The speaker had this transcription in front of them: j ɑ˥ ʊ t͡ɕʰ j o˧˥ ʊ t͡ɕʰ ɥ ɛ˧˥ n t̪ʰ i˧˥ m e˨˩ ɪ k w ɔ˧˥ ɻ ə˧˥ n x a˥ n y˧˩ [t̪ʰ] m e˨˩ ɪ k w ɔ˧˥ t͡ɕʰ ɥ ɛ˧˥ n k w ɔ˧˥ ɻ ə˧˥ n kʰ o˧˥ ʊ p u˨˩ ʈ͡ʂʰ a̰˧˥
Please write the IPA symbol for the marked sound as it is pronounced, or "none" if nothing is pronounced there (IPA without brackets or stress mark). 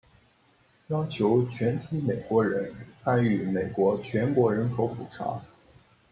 none